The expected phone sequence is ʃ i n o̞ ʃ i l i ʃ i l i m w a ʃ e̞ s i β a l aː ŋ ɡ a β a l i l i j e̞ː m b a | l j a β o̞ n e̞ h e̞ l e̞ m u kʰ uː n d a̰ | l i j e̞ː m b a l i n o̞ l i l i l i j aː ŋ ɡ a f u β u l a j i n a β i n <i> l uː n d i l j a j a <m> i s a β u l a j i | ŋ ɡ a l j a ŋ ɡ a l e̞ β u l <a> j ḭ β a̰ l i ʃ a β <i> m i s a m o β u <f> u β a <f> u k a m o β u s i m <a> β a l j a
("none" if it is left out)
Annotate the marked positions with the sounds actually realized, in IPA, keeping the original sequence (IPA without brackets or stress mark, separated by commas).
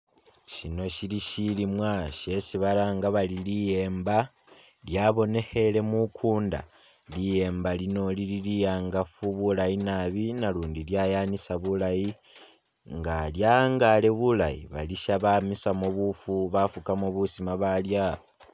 a, n, a, a, f, f, a